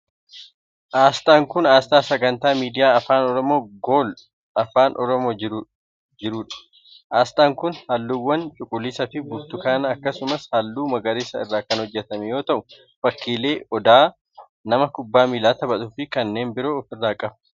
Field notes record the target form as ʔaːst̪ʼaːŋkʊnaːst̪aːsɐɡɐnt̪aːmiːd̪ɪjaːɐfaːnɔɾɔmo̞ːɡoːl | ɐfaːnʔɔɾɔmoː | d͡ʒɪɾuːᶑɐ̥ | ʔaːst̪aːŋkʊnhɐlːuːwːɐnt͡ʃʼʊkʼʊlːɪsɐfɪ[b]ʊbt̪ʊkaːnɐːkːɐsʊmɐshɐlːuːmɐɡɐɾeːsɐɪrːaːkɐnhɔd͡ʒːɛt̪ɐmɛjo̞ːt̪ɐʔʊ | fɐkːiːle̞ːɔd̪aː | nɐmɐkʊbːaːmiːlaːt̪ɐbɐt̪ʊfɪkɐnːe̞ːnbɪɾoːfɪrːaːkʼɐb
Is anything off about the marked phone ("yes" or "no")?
no